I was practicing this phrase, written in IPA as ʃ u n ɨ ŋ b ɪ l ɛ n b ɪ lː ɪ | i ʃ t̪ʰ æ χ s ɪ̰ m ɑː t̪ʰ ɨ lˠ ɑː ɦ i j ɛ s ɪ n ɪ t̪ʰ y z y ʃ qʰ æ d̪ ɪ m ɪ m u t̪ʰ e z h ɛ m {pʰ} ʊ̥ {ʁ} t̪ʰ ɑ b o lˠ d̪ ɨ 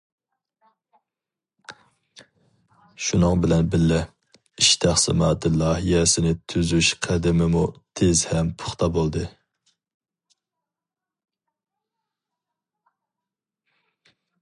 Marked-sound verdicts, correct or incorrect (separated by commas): correct, incorrect